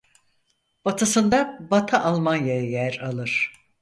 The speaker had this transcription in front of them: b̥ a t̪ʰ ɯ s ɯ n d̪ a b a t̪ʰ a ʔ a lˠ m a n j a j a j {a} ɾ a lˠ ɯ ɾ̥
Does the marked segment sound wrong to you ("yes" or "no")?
yes